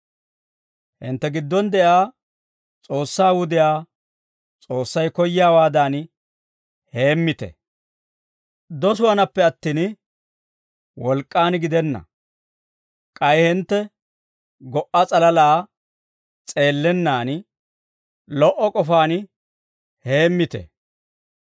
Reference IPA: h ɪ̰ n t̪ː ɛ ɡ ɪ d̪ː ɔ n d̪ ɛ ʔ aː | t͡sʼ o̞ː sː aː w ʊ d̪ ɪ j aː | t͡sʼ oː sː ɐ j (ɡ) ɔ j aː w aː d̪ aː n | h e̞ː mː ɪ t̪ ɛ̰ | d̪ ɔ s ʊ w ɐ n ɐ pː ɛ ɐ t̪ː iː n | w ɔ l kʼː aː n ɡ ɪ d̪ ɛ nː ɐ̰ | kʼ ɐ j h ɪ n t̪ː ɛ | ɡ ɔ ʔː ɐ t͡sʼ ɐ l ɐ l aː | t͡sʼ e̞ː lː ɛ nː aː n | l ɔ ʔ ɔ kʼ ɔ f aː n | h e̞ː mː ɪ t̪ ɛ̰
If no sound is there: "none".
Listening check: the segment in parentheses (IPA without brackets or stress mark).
k